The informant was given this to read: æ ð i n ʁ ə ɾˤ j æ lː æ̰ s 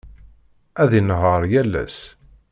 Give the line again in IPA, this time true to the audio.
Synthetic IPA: æ ð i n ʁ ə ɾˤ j æ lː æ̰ s

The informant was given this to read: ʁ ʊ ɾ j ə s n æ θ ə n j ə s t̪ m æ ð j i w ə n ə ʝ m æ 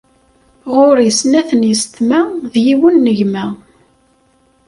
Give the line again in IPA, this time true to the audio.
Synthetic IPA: ʁ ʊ ɾ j ə s n æ θ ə n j ə s t̪ m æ ð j i w ə nː ə ʝ m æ

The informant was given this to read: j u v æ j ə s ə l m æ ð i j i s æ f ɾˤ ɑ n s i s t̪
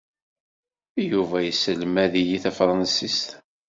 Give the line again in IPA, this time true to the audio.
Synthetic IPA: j u v æ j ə s ə l m æ ð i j i θ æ f ɾˤ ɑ n s i s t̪

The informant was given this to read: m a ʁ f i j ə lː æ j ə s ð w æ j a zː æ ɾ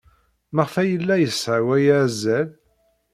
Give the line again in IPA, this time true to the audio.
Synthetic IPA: m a ʁ f æ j ə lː æ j ə s ʕ w æ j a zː æ l

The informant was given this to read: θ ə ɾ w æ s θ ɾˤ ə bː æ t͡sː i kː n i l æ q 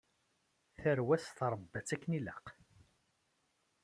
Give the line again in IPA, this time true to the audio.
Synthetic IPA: θ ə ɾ w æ s θ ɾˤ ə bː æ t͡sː æ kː n i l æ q

